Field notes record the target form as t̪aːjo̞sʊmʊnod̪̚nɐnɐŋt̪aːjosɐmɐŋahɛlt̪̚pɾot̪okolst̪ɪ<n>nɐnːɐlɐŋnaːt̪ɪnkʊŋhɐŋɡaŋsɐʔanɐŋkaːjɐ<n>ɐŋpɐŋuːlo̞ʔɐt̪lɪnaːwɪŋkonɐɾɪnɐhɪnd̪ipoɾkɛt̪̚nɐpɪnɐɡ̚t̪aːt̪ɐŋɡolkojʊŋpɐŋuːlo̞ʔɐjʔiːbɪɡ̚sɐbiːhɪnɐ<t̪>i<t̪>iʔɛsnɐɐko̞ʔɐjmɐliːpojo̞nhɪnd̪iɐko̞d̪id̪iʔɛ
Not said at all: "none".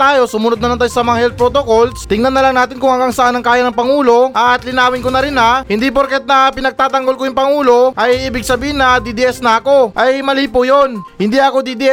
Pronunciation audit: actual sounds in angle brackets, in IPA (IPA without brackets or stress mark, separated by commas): ŋ, n, d̪, d̪